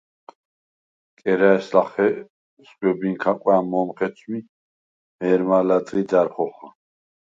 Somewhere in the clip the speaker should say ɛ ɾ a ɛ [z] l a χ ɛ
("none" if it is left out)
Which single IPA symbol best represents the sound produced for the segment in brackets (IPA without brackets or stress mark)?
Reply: s